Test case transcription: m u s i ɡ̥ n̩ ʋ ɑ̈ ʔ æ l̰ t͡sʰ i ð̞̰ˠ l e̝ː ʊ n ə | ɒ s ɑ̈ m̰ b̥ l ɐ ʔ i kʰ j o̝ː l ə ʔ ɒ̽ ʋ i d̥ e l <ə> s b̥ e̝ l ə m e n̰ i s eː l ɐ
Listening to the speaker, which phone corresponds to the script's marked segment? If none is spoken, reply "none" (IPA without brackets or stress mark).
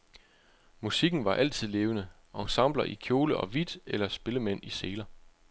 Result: ɐ